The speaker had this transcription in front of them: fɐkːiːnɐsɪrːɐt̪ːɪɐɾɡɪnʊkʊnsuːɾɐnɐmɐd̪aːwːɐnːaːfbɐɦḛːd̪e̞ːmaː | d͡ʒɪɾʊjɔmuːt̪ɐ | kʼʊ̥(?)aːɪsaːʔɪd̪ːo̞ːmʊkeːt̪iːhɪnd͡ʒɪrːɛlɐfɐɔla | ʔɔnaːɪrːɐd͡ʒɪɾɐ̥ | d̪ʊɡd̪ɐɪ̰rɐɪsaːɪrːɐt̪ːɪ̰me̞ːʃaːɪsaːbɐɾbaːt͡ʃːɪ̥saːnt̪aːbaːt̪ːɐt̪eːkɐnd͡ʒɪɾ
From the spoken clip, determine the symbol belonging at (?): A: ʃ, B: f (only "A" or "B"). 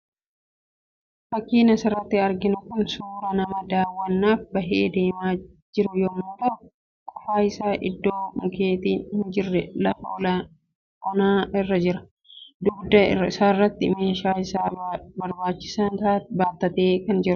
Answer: B